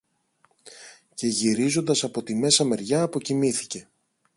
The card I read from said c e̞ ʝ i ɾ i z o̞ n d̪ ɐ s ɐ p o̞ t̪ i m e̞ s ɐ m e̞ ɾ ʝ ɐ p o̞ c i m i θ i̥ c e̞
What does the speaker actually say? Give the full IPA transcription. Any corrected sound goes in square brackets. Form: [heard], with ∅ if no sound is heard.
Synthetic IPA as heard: c e̞ ʝ i ɾ i z o̞ n d̪ ɐ s ɐ p o̞ t̪ i m e̞ s ɐ m e̞ ɾ ʝ [ɐː] p o̞ c i m i θ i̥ c e̞